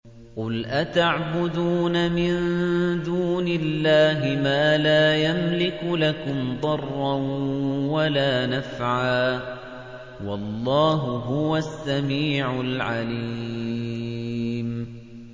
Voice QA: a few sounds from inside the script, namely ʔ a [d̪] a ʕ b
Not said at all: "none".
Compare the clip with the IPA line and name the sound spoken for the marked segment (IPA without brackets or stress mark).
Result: t̪